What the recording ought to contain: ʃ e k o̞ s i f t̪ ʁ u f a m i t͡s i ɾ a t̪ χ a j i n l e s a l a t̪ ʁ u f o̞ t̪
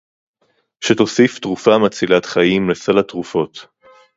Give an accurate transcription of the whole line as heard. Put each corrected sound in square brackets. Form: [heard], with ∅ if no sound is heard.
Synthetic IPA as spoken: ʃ e [t] o̞ s i f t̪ ʁ u f a m [a] t͡s i [l] a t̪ χ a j i [m] l e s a l a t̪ ʁ u f o̞ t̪

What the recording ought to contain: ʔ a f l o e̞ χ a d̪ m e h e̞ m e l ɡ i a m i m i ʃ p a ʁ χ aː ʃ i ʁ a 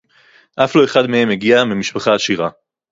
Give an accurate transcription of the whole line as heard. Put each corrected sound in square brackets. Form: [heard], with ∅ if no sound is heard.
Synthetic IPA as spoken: ʔ a f l o e̞ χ a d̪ m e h e̞ m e [∅] ɡ i a m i m i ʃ p a [∅] χ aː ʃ i ʁ a

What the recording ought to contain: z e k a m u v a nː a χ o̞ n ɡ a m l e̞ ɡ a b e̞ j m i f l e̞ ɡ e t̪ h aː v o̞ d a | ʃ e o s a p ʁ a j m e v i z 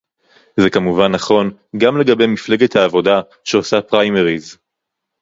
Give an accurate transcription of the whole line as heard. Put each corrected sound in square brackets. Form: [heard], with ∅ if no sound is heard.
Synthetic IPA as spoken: z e k a m u v a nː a χ o̞ n ɡ a m l e̞ ɡ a b e̞ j m i f l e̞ ɡ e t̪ h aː v o̞ d a | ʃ e o s a p ʁ a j m e [ʁ] i z

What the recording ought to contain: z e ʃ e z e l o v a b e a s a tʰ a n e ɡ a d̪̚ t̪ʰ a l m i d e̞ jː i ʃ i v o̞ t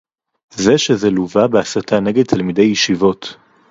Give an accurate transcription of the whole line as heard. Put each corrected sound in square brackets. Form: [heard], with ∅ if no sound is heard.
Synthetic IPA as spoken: z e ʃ e z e l [u] v a b e a s a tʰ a n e ɡ [e] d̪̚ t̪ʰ a l m i d e̞ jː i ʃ i v o̞ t

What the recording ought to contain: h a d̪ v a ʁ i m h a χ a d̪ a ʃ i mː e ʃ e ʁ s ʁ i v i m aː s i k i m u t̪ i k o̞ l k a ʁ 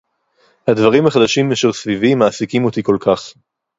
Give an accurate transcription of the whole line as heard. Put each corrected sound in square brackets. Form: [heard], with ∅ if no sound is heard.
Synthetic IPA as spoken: h a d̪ v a ʁ i m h a χ a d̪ a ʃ i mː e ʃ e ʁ s [v] i v i m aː s i k i m [o] t̪ i k o̞ l k a [χ]

